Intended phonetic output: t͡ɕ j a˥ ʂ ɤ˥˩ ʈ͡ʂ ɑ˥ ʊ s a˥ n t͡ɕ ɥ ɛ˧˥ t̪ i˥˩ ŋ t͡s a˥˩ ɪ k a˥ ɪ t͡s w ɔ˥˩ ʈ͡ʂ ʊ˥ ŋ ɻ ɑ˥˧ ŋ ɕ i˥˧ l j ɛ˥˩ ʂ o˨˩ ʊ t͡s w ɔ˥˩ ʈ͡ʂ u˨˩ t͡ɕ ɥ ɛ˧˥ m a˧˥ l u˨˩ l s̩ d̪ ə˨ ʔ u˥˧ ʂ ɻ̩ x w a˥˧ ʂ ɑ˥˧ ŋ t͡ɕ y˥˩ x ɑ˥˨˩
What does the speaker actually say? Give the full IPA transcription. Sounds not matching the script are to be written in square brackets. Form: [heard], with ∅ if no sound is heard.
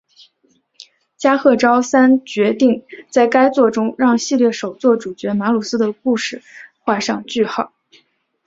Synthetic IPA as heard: t͡ɕ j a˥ [x] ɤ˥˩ ʈ͡ʂ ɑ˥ ʊ s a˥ n t͡ɕ ɥ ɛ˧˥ t̪ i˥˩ ŋ t͡s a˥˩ ɪ k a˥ ɪ t͡s w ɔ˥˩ ʈ͡ʂ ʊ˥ ŋ ɻ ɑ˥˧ ŋ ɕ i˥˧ l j ɛ˥˩ ʂ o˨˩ ʊ t͡s w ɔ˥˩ ʈ͡ʂ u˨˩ t͡ɕ ɥ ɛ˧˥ m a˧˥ l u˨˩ [∅] s̩ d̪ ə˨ [k] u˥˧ ʂ ɻ̩ x w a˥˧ ʂ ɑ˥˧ ŋ t͡ɕ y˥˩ x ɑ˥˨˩